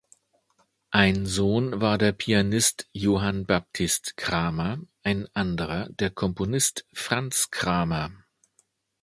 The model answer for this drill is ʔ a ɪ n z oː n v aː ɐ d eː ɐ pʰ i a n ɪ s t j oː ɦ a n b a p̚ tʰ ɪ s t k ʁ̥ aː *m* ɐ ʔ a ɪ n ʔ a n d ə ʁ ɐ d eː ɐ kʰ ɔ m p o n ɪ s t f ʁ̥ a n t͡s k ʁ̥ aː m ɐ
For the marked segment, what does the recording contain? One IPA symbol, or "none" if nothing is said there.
m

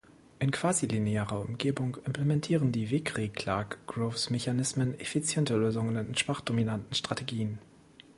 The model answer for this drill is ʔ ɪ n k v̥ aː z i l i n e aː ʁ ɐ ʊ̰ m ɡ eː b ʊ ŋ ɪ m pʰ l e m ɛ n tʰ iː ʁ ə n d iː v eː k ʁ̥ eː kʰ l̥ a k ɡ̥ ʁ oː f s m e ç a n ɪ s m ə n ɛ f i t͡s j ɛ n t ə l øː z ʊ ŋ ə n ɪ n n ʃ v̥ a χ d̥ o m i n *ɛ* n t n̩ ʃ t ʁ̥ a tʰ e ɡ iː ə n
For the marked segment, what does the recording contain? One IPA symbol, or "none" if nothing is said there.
a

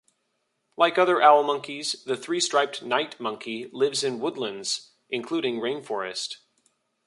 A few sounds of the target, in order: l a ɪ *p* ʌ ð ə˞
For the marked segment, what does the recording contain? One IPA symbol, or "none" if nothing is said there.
k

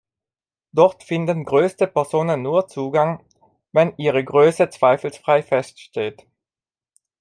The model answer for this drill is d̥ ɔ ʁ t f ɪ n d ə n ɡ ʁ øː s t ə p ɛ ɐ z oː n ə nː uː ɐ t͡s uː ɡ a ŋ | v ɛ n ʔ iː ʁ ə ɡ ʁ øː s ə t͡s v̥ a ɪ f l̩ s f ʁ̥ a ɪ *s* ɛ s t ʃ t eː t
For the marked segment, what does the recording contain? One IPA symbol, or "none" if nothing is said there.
f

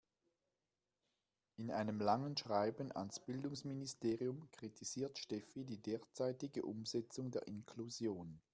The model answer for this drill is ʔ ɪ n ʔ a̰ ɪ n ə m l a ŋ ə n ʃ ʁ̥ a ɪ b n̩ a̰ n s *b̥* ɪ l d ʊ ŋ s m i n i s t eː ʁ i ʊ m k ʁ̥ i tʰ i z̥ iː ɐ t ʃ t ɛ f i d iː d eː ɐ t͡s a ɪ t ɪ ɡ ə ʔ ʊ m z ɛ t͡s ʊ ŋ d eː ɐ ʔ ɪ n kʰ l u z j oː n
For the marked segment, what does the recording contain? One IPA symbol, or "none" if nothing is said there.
b̥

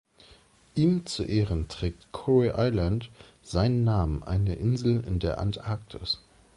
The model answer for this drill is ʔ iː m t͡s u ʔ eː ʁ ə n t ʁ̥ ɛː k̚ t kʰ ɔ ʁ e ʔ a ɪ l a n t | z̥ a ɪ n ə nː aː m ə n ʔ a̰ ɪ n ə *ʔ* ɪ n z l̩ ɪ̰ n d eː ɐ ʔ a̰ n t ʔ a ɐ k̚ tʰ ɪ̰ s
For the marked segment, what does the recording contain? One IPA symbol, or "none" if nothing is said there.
ʔ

